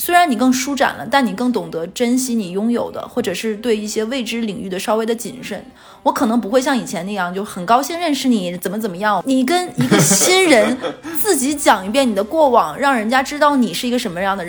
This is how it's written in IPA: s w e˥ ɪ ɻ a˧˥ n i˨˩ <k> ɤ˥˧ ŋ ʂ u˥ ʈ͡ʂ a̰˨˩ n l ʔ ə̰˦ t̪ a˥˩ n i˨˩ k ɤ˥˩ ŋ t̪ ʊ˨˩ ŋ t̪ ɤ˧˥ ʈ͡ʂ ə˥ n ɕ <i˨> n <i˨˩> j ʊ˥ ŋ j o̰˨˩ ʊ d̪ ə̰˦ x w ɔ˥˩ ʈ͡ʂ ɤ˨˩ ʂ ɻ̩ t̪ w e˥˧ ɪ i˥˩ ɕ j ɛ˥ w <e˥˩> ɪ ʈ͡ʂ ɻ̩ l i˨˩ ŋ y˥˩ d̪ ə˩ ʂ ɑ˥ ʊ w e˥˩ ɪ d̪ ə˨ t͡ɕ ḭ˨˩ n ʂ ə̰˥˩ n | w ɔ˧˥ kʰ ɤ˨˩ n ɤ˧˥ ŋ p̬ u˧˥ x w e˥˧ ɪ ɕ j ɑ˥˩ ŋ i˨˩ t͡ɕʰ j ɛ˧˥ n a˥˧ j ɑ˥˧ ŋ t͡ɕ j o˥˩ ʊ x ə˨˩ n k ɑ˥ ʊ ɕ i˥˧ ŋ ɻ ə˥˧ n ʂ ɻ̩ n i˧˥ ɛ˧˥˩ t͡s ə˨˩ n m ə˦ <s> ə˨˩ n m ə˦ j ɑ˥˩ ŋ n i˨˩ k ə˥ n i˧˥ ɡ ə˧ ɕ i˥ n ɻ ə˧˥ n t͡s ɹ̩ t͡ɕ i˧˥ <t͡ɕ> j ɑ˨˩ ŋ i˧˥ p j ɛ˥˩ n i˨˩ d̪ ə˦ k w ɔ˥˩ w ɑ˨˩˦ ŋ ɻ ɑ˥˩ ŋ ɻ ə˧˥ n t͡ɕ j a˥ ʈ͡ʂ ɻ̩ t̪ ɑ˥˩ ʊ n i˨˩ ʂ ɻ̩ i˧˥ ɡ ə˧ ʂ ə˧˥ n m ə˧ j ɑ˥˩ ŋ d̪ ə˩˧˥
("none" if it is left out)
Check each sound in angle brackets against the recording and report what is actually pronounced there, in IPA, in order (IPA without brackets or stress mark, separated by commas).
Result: k, i˥, i˨˩, e˥˩, t͡s, t͡ɕ